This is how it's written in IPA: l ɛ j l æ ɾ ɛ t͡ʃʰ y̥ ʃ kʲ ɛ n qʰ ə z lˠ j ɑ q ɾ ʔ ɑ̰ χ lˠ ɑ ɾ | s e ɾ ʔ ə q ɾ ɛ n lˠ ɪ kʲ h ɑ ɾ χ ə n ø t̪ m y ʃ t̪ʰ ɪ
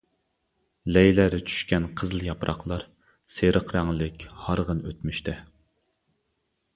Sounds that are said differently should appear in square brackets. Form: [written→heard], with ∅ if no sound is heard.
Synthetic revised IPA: l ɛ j l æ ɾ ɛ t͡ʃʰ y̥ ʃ kʲ ɛ n qʰ ə z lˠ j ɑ [q→p] ɾ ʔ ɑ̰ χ lˠ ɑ ɾ | s e ɾ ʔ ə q ɾ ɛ [n→ŋ] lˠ ɪ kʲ h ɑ ɾ [χ→ʁ] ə n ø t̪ m y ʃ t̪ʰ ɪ